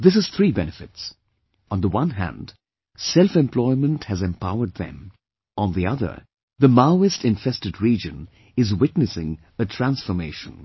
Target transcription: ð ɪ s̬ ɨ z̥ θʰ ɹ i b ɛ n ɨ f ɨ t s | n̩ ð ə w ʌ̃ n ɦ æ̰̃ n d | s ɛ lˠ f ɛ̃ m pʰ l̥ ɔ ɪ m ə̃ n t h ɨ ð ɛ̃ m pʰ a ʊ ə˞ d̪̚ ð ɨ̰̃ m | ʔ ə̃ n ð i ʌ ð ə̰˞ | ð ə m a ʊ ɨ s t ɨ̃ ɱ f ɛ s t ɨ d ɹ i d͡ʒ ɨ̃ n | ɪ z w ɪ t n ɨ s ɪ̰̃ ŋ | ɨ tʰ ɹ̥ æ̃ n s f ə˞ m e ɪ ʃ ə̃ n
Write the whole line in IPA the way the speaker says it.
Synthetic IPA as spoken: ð ɪ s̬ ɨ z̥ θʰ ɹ i b ɛ n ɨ f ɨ t s | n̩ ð ə w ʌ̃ n ɦ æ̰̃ n d | s ɛ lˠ f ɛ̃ m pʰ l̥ ɔ ɪ m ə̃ n t h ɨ z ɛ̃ m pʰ a ʊ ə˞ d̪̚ ð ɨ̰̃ m | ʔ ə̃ n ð i ʌ ð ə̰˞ | ð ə m a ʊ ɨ s t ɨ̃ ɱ f ɛ s t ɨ d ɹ i d͡ʒ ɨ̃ n | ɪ z w ɪ t n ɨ s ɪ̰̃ ŋ | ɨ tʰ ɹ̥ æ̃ n s f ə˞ m e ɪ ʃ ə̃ n